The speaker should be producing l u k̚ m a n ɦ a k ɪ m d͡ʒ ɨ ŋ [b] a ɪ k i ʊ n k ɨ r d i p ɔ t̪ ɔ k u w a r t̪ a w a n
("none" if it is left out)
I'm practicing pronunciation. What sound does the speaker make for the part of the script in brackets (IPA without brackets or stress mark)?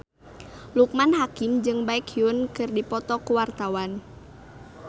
b